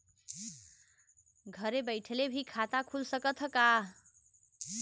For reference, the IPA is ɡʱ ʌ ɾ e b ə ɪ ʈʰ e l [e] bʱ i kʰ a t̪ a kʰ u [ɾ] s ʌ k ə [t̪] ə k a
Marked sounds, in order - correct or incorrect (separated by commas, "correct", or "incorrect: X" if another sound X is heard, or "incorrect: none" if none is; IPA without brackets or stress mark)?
correct, incorrect: l, incorrect: t̪ʰ